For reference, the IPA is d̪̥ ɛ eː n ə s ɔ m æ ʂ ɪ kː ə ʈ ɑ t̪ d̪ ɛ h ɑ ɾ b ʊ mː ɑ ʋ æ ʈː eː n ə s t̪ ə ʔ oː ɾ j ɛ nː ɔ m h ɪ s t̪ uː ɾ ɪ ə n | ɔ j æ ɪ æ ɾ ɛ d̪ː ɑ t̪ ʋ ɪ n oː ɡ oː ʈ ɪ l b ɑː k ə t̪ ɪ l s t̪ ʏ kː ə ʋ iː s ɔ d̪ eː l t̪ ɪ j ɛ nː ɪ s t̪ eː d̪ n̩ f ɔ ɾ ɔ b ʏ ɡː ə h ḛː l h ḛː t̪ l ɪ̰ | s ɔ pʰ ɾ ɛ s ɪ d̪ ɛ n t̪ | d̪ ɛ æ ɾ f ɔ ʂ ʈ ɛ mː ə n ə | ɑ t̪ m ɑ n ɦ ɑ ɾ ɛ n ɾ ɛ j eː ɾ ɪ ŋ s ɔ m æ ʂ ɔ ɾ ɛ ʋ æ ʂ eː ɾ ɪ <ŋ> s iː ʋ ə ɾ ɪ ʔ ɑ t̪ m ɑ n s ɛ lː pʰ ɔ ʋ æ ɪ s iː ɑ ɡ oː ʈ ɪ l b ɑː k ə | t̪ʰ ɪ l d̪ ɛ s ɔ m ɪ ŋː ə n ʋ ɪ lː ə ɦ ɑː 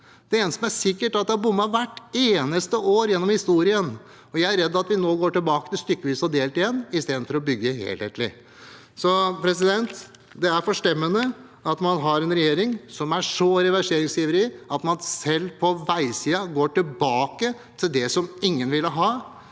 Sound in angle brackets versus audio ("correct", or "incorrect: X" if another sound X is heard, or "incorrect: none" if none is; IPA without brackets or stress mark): correct